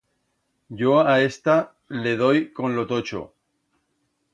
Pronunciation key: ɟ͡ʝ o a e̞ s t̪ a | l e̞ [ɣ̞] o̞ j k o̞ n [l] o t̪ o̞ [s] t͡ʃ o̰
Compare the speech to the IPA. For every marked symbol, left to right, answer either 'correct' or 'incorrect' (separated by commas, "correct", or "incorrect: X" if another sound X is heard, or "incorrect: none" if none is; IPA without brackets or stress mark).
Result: incorrect: ð̞, correct, incorrect: none